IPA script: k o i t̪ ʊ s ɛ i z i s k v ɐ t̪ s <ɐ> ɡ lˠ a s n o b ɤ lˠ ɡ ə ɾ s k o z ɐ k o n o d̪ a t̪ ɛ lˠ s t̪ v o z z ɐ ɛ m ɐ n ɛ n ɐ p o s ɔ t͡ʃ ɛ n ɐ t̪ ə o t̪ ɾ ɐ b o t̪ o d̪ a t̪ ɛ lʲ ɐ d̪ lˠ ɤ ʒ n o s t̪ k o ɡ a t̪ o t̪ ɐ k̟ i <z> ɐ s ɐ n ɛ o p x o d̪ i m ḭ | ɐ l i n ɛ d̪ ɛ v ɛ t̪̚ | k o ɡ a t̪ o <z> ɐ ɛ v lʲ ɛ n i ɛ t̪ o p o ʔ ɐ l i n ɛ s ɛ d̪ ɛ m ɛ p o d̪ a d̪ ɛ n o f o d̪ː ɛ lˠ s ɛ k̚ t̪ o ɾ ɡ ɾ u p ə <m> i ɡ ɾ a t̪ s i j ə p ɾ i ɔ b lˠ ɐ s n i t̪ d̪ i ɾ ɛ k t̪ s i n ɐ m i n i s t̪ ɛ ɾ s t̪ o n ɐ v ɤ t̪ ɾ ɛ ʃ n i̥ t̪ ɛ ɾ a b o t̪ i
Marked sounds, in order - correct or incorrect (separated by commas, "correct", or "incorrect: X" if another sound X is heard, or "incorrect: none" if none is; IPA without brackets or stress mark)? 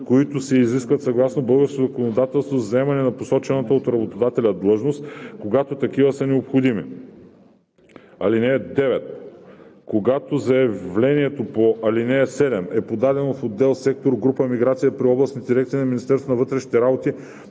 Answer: correct, incorrect: v, correct, correct